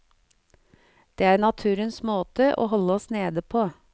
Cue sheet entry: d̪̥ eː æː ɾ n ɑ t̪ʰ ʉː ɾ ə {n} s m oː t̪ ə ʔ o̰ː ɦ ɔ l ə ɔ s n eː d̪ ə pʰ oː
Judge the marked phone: correct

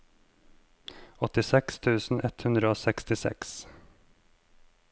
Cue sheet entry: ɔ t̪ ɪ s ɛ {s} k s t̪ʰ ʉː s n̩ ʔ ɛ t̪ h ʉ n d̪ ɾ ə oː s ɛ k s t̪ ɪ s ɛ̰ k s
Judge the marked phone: incorrect: none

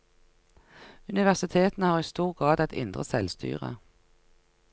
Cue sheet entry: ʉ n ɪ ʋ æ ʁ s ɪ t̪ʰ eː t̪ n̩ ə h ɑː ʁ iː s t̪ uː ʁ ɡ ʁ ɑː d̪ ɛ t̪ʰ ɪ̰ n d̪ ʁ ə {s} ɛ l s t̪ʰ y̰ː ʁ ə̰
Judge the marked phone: correct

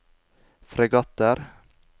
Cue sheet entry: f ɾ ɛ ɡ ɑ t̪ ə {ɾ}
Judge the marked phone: correct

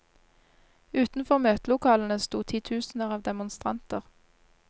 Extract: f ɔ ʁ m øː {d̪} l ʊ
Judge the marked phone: incorrect: t̪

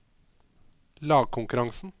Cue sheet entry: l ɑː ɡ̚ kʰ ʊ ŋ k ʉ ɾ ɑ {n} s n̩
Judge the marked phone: incorrect: ŋ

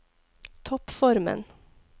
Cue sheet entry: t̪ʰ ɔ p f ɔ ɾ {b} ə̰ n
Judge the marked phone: incorrect: m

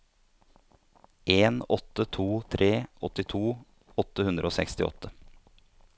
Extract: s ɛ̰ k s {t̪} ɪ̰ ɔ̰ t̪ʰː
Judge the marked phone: correct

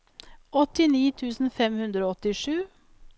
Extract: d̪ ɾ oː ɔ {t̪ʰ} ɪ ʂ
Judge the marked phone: incorrect: t̪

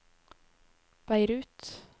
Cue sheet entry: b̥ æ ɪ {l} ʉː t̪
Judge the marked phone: incorrect: ɾ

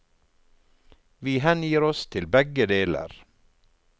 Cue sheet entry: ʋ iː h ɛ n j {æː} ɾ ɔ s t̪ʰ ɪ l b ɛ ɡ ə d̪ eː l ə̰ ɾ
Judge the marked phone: incorrect: iː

